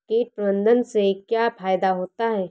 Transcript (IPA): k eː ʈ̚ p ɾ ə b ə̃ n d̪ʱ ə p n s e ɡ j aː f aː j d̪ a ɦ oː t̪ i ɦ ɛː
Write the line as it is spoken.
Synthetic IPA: k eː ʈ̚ p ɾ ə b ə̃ n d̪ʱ ə n s e k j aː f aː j d̪ a ɦ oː t̪ a ɦ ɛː

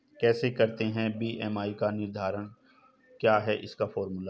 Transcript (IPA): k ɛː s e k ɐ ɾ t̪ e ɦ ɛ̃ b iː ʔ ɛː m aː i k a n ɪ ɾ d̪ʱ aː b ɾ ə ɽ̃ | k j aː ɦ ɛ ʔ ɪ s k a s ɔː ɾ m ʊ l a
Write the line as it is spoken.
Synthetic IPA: k ɛː s e k ɐ ɾ t̪ e ɦ ɛ̃ b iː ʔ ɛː m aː i k a n ɪ ɾ d̪ʱ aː ɾ ə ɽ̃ | k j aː ɦ ɛ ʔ ɪ s k a f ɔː ɾ m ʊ l a

